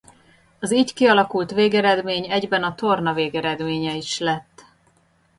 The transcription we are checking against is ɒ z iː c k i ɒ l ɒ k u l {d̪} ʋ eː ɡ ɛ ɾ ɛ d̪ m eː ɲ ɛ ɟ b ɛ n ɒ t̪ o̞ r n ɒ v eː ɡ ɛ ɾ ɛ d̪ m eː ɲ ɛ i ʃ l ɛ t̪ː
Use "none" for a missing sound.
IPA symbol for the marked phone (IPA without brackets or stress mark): t̪